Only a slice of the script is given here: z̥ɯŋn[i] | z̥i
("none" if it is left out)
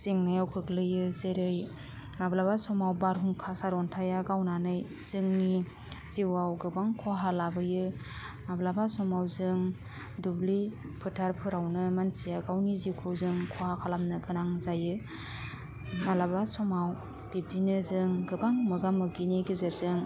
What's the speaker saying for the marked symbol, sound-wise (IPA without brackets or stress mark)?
i